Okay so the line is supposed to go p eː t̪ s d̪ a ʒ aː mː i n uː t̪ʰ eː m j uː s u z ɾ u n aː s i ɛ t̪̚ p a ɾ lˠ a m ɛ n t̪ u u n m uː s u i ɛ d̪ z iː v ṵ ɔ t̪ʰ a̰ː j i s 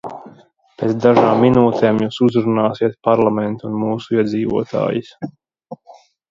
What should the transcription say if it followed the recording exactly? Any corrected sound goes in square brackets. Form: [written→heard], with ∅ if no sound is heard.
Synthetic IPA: p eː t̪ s d̪ a ʒ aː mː i n uː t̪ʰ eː m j uː s u z ɾ u n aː s i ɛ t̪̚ p a ɾ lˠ a m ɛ n t̪ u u n m uː s u i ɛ d̪ z iː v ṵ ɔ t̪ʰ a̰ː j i s

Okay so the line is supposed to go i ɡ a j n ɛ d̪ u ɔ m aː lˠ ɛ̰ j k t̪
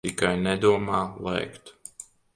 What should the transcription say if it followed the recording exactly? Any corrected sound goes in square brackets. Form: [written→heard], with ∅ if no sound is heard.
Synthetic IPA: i [ɡ→k] a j n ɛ d̪ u ɔ m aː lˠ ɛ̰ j k t̪

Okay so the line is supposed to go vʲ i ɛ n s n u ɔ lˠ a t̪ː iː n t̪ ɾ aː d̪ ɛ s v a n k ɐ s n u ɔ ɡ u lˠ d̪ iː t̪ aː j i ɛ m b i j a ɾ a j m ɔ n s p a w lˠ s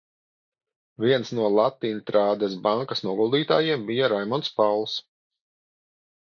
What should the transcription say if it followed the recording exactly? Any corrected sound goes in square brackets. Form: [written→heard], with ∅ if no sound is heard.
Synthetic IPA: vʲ i ɛ n s n u ɔ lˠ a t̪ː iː n t̪ ɾ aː d̪ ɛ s [v→b] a [n→ŋ] k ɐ s n u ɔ ɡ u lˠ d̪ iː t̪ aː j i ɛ m b i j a ɾ a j m ɔ n s p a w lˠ s

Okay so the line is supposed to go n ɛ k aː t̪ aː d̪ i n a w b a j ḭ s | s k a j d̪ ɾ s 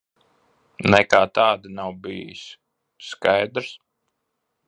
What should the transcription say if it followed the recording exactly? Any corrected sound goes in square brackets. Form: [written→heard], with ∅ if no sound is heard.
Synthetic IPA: n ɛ k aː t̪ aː d̪ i n a w b [a→i] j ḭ s | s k a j d̪ ɾ s

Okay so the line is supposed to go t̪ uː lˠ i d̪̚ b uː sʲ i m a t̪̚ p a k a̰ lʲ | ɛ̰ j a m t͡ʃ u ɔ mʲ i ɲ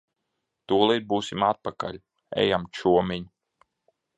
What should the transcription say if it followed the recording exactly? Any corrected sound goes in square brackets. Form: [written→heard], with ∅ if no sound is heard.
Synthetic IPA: t̪ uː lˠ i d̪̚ b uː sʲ i m a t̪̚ p a k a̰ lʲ | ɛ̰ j a m t͡ʃ u ɔ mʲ i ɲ

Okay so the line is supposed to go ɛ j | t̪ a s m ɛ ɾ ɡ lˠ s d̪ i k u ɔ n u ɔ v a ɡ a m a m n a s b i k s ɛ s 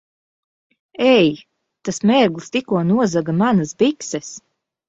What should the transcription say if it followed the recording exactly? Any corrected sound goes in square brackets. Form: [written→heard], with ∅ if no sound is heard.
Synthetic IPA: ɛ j | t̪ a s m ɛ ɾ ɡ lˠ s [d̪→t̪] i k u ɔ n u ɔ [v→z] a ɡ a m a [m→∅] n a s b i k s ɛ s

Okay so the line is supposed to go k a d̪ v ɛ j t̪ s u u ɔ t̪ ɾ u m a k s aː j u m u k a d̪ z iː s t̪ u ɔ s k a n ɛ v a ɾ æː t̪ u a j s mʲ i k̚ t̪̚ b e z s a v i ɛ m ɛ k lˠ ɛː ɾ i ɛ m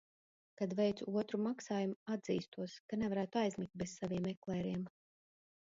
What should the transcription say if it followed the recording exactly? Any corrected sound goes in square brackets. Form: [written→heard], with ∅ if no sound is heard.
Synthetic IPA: k a d̪ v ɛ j t̪ s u u ɔ t̪ ɾ u m a k s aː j u m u [k→∅] a d̪ z iː s t̪ u ɔ s k a n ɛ v a ɾ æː t̪ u a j [s→z] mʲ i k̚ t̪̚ b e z s a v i ɛ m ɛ k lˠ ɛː ɾ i ɛ m

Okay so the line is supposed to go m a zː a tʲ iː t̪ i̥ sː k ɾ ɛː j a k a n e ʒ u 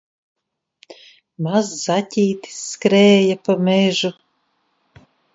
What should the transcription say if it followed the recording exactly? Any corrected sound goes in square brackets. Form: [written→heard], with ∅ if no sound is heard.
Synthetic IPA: m a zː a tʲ iː t̪ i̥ sː k ɾ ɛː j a [k→p] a [n→m] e ʒ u

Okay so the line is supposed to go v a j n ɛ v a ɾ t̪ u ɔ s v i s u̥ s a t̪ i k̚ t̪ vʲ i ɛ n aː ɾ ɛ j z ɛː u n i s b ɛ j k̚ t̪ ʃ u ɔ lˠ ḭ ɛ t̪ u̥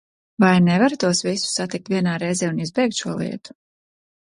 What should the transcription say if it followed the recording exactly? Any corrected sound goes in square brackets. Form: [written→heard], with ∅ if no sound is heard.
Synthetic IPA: v a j n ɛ v a ɾ t̪ u ɔ s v i s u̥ s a t̪ i k̚ t̪ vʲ i ɛ n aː ɾ ɛ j z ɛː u n i [s→z] b ɛ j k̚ t̪ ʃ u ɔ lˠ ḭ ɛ t̪ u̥

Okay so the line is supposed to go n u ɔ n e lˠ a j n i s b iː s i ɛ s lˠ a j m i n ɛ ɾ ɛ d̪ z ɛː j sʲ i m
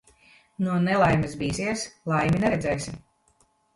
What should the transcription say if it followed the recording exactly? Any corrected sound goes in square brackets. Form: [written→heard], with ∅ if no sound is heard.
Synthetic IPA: n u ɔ n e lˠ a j [n→m] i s b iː s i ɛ s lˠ a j m i n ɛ ɾ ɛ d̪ z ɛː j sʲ i m

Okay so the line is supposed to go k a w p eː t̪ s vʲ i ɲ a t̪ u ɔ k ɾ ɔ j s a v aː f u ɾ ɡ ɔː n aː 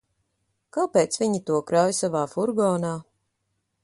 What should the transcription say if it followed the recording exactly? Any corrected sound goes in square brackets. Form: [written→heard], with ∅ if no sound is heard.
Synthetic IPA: k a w p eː t̪ s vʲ i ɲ [a→i] t̪ u ɔ k ɾ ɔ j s a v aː f u ɾ ɡ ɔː n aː

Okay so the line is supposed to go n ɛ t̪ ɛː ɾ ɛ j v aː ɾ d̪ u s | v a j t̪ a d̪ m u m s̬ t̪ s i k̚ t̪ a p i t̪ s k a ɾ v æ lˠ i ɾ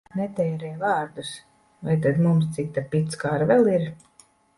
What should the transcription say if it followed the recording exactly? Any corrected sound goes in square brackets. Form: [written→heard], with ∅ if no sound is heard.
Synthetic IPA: n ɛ t̪ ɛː ɾ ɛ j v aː ɾ d̪ u s | v a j t̪ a d̪ m u m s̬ t̪ s i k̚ t̪ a p i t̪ s k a ɾ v [æ→ɛ] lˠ i ɾ

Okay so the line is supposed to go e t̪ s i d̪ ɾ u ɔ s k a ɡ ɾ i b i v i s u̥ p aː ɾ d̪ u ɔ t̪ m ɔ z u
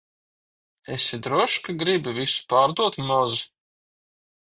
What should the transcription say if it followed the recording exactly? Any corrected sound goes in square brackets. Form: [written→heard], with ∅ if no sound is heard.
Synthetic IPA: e [t̪→∅] s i d̪ ɾ u ɔ [s→ʃ] k a ɡ ɾ i b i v i s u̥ p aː ɾ d̪ u ɔ t̪ m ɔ z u

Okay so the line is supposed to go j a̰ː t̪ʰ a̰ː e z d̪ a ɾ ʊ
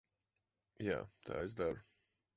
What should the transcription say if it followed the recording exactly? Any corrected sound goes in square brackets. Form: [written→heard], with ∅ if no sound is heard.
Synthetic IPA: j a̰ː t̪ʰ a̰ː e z d̪ a ɾ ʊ

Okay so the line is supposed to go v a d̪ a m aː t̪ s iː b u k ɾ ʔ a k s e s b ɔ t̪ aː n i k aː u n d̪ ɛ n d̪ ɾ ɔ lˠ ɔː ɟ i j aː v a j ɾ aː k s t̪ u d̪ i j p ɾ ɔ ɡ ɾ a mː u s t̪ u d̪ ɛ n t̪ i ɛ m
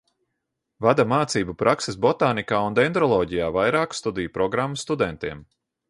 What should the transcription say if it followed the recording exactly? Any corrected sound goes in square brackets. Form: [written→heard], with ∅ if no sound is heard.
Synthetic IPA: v a d̪ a m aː t̪ s iː b u [k→p] ɾ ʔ a k s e s b ɔ t̪ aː n i k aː u n d̪ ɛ n d̪ ɾ ɔ lˠ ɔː ɟ i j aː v a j ɾ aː k s t̪ u d̪ i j p ɾ ɔ ɡ ɾ a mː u s t̪ u d̪ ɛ n t̪ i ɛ m

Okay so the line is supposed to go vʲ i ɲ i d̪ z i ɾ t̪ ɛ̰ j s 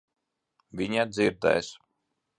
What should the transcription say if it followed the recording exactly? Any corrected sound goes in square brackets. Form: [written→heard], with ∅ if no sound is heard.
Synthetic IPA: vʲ i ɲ [i→a] d̪ z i ɾ [t̪→d̪] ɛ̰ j s

